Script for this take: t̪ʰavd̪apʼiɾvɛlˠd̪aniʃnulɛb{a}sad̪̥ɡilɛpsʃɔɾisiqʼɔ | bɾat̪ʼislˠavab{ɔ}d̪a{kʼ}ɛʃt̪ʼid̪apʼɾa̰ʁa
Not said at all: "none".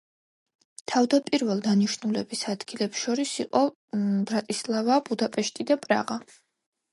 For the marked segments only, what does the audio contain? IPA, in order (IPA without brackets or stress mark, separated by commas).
i, u, pʼ